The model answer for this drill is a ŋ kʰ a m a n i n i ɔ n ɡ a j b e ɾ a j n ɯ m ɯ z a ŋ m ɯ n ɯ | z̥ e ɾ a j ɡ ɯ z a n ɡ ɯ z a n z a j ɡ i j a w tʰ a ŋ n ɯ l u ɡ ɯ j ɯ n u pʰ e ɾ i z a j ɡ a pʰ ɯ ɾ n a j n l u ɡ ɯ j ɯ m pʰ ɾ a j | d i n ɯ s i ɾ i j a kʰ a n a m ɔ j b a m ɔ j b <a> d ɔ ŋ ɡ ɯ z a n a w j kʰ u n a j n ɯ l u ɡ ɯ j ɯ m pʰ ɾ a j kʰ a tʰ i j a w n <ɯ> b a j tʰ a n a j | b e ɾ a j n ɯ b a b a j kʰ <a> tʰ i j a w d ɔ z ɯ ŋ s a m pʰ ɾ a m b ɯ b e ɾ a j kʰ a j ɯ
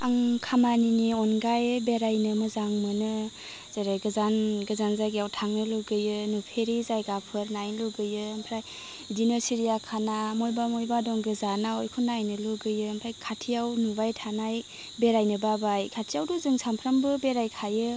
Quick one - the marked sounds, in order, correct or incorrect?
correct, incorrect: u, correct

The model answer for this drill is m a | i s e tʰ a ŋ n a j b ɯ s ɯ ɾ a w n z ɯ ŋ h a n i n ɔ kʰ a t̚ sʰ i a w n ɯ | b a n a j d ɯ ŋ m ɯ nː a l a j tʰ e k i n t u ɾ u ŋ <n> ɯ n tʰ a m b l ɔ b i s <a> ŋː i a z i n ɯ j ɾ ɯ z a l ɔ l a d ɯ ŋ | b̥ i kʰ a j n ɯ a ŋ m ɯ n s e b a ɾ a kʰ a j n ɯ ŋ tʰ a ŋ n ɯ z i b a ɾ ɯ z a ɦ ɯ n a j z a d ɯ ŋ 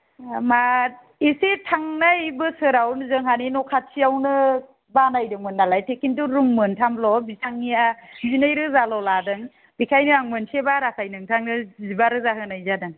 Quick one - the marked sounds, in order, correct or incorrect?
incorrect: m, correct

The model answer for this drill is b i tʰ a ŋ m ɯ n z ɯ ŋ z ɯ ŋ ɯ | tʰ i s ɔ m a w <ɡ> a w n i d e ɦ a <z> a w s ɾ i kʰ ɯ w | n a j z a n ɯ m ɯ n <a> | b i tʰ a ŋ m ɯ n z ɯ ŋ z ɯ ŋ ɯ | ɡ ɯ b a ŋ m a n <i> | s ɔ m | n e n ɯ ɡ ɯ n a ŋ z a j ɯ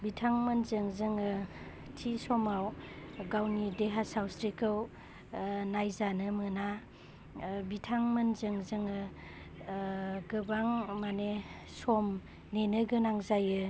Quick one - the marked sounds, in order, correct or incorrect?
correct, incorrect: s, correct, incorrect: e

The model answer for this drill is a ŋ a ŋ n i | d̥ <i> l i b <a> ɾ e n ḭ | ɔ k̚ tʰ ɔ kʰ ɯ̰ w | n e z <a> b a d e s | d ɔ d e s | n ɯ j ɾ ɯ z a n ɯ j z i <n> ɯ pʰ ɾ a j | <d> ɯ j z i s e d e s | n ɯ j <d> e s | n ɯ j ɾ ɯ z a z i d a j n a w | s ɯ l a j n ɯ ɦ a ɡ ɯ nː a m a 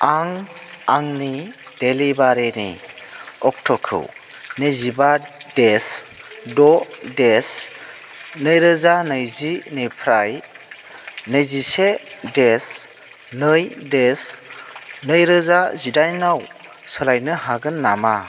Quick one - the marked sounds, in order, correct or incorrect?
incorrect: e, correct, incorrect: i, correct, incorrect: n, correct

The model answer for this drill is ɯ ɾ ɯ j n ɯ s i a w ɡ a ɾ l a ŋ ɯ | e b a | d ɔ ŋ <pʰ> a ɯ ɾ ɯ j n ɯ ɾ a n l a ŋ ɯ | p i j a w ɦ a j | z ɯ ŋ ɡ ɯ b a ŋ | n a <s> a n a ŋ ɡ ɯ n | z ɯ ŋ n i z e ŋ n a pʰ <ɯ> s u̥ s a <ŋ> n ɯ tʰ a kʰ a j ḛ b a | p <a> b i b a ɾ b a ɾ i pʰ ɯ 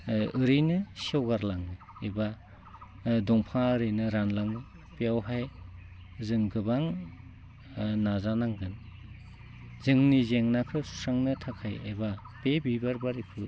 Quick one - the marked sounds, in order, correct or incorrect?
correct, incorrect: z, correct, correct, incorrect: e

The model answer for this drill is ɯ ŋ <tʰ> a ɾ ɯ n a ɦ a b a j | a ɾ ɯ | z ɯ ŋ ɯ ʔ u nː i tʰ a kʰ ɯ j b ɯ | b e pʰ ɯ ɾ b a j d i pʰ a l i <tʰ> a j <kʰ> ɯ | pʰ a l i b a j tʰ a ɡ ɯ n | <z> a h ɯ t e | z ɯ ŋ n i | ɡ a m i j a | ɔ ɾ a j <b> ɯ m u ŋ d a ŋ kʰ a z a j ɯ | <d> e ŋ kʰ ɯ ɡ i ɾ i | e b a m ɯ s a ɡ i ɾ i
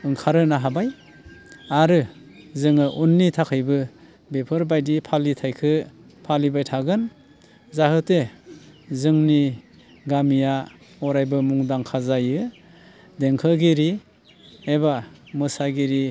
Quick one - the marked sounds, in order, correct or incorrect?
incorrect: kʰ, correct, correct, correct, correct, correct

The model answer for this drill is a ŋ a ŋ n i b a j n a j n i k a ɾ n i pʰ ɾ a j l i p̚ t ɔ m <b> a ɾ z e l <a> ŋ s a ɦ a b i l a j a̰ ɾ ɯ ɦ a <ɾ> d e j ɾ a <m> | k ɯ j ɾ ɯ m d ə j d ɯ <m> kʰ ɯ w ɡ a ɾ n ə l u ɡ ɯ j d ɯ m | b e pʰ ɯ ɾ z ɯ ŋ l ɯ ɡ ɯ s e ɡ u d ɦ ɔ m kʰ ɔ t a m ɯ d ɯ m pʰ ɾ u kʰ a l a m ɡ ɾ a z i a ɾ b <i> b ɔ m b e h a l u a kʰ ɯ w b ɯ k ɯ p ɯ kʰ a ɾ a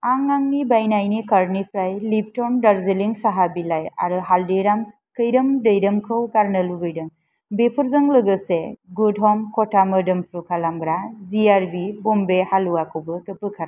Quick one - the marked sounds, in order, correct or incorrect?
incorrect: d, incorrect: i, incorrect: l, correct, correct, correct

